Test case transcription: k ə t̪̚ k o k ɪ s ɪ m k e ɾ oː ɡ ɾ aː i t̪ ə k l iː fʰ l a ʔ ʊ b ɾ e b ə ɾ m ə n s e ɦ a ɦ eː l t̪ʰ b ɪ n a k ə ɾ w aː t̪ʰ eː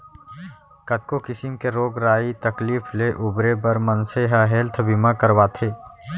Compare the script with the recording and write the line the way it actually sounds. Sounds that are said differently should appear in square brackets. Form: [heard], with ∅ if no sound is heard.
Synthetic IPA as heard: k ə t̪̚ k o k ɪ s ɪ m k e ɾ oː ɡ ɾ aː i t̪ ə k l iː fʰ l [e] ʔ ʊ b ɾ e b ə ɾ m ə n s e ɦ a ɦ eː l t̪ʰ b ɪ [m] a k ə ɾ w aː t̪ʰ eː